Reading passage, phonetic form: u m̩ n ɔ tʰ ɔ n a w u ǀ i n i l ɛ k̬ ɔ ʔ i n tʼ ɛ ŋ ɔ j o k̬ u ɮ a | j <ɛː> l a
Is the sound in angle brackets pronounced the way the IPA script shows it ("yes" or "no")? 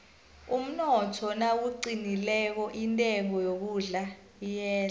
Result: yes